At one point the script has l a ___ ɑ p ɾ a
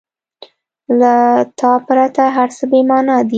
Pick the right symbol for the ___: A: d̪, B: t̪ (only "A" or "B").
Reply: B